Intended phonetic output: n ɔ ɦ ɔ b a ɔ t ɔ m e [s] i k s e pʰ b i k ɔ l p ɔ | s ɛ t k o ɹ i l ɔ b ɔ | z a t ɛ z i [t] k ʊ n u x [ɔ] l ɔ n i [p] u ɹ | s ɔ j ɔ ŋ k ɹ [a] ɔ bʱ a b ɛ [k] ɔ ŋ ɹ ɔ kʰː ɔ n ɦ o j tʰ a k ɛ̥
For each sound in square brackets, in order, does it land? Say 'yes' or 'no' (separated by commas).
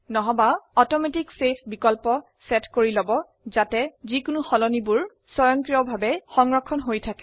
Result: no, no, yes, no, no, no